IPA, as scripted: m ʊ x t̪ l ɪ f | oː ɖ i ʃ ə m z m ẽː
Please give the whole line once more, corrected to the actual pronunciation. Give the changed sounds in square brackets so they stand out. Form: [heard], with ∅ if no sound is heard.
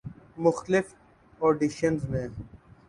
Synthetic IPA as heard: m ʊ x t̪ l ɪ f | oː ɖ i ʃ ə [n] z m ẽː